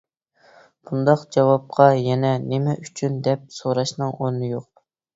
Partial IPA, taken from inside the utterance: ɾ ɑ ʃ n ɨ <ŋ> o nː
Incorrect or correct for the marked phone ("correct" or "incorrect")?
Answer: correct